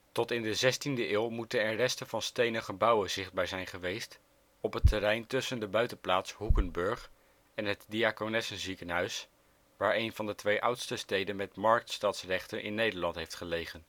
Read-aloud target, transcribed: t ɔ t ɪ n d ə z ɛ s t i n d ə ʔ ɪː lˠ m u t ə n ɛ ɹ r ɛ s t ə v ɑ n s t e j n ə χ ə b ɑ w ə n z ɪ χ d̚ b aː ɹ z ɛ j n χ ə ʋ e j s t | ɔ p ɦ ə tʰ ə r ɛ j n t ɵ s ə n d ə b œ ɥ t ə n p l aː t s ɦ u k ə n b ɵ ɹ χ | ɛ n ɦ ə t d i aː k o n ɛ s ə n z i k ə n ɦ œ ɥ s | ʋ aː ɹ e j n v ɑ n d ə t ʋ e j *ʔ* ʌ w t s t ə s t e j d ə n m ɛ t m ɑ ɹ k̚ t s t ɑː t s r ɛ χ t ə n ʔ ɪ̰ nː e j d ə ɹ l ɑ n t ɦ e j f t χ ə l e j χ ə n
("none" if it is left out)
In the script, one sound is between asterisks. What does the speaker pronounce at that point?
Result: ʔ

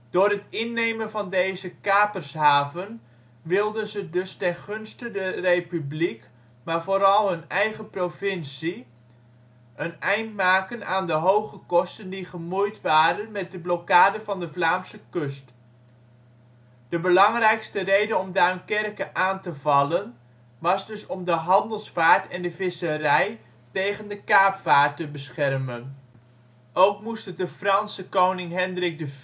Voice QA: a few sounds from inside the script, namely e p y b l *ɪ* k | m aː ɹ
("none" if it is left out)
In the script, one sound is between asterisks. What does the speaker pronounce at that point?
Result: i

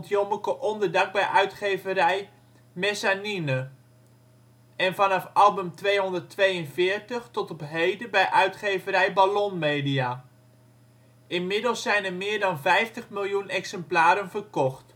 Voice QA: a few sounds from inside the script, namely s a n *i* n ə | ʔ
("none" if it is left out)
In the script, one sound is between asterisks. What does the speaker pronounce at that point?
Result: i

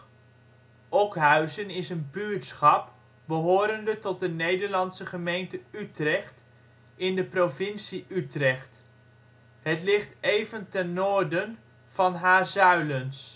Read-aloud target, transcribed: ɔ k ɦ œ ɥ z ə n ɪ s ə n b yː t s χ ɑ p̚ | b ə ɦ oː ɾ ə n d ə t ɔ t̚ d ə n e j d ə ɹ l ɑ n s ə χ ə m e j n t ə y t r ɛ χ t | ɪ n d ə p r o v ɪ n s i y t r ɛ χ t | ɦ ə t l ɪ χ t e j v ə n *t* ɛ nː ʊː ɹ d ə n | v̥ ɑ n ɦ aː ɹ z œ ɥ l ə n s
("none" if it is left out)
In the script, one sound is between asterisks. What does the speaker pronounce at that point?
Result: t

